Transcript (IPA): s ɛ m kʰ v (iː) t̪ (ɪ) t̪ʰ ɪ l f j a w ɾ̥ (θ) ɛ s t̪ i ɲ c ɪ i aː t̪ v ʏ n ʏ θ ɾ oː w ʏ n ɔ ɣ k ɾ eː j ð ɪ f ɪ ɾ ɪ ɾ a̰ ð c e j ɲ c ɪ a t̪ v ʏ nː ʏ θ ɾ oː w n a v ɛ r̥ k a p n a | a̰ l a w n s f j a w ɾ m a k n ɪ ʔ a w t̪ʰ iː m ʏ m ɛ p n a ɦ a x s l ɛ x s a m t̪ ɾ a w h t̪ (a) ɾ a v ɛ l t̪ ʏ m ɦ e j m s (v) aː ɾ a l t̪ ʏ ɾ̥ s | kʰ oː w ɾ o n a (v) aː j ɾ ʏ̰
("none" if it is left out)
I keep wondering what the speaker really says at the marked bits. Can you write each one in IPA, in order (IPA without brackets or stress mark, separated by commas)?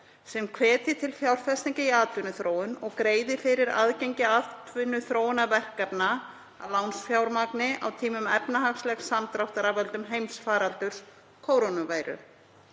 ɛː, ɪ, f, a, f, v